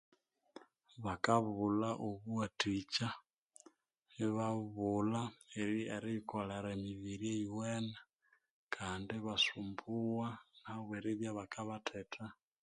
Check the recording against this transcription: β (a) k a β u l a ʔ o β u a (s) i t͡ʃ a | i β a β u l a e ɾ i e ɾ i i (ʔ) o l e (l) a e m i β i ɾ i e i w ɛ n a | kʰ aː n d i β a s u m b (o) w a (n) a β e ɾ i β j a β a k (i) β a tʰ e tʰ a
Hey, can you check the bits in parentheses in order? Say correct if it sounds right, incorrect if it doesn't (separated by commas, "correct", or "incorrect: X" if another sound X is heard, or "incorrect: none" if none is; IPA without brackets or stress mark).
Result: correct, incorrect: t, incorrect: k, incorrect: ɾ, incorrect: u, correct, incorrect: a